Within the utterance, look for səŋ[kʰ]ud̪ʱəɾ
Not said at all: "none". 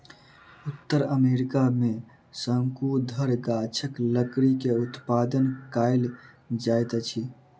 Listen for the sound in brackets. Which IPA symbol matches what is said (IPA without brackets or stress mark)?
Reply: k